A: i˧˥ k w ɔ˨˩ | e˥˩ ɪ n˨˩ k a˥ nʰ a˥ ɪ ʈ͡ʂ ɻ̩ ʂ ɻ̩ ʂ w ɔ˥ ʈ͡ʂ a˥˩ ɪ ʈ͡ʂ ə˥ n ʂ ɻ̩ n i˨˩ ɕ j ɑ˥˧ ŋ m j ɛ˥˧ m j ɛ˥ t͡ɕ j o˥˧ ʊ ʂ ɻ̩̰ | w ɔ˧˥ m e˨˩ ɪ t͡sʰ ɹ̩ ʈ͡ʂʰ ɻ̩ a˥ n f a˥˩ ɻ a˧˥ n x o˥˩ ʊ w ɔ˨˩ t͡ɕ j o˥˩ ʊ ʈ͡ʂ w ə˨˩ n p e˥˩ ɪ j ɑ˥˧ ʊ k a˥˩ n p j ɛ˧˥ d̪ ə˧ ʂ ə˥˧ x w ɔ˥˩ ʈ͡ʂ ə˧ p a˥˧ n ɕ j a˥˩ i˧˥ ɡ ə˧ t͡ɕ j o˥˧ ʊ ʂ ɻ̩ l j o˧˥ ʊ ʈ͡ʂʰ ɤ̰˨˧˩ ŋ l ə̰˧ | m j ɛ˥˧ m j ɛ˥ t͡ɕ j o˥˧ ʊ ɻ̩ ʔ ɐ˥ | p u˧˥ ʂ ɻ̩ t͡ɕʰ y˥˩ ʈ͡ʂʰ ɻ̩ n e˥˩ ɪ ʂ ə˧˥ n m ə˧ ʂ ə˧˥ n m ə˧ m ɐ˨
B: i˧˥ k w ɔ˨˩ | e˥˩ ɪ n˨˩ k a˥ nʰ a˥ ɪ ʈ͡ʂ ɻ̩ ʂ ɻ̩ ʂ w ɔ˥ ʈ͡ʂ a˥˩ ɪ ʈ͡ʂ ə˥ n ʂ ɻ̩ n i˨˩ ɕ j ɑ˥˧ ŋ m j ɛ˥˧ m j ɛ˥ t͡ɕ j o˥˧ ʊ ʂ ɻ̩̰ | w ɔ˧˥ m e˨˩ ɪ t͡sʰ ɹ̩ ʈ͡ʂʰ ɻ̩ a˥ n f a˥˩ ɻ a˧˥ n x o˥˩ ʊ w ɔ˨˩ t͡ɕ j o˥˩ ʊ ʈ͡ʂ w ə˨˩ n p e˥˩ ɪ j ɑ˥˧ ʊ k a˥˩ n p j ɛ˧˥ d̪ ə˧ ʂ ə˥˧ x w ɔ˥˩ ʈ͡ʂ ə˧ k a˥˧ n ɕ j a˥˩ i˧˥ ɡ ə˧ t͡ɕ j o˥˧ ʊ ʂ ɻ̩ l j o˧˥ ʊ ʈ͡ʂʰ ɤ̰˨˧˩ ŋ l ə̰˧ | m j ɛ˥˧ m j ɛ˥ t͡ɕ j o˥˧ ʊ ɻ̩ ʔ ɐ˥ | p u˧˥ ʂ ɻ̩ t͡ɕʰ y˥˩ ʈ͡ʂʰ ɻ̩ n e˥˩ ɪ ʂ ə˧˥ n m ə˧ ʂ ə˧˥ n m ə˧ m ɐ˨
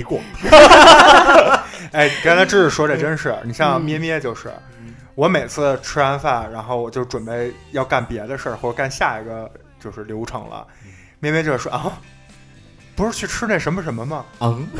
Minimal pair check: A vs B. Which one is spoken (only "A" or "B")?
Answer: B